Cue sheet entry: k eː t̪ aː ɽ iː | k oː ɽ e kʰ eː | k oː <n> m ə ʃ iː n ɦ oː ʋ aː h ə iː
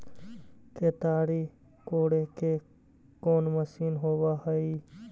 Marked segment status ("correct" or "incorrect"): correct